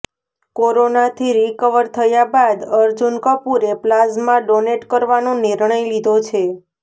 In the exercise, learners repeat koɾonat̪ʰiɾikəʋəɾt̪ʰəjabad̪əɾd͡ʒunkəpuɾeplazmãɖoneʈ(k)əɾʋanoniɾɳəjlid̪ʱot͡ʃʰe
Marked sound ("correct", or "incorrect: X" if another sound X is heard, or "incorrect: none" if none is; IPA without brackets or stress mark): correct